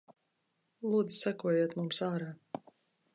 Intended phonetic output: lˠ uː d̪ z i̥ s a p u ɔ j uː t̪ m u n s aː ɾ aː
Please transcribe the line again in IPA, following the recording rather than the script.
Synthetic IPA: lˠ uː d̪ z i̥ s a k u ɔ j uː t̪ m u m s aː ɾ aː

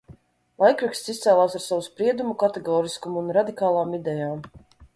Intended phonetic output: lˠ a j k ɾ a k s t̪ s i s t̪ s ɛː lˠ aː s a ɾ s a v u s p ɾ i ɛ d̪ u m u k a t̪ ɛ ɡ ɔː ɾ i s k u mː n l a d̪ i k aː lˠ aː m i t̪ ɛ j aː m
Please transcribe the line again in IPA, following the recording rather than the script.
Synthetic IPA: lˠ a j k ɾ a k s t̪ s i s t̪ s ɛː lˠ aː s a ɾ s a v u s p ɾ i ɛ d̪ u m u k a t̪ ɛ ɡ ɔː ɾ i s k u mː n ɾ a d̪ i k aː lˠ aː m i d̪ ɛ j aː m

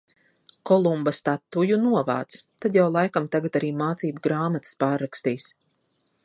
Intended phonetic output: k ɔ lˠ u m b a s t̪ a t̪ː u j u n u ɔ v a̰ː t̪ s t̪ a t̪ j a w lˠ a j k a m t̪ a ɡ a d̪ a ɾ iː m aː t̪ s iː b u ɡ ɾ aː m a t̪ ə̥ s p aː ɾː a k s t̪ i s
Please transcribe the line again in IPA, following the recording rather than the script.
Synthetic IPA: k ɔ lˠ u m b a s t̪ a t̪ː u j u n u ɔ v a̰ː t̪ s t̪ a d̪ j a w lˠ a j k a m t̪ a ɡ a t̪ a ɾ iː m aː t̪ s iː b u ɡ ɾ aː m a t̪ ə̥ s p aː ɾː a k s t̪ iː s

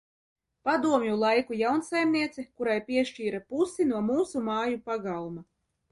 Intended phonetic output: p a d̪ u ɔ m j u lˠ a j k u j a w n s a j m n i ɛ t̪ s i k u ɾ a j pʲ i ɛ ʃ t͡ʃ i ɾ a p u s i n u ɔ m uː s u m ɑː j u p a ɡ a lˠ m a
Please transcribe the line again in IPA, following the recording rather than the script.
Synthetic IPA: p a d̪ u ɔ m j u lˠ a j k u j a w n s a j m n i ɛ t̪ s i k u ɾ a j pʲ i ɛ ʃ t͡ʃ iː ɾ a p u s i n u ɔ m uː s u m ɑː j u p a ɡ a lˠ m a

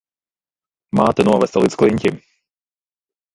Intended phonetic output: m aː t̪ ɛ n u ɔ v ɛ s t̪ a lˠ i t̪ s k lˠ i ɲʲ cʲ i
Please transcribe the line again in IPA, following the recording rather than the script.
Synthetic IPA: m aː t̪ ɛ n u ɔ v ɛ s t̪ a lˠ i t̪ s k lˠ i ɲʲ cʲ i

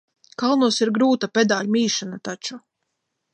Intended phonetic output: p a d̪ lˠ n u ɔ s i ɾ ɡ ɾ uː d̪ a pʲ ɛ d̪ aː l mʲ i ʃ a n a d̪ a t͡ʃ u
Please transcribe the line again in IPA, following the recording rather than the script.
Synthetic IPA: k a lˠ n u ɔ s i ɾ ɡ ɾ uː t̪ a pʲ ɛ d̪ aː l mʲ iː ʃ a n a t̪ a t͡ʃ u

